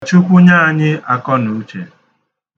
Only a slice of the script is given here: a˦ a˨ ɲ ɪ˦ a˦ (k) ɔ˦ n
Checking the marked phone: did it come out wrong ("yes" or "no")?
no